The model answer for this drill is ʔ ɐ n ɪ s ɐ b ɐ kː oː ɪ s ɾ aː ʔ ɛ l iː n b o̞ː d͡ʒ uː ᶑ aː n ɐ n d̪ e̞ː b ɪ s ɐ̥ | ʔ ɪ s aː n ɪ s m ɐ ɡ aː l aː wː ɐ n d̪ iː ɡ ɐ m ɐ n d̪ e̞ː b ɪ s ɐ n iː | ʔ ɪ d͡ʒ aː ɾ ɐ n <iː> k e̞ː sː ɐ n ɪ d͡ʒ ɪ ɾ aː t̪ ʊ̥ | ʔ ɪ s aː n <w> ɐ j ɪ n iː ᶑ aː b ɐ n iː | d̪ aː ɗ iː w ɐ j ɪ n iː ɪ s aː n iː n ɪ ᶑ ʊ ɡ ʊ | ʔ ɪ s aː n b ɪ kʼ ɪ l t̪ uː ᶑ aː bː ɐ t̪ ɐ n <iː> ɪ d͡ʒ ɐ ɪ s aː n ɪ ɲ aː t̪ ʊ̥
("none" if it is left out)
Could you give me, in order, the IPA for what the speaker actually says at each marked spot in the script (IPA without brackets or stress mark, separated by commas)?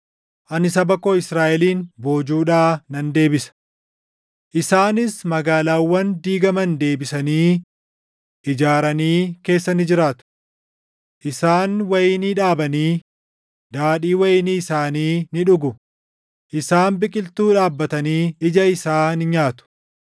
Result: iː, w, iː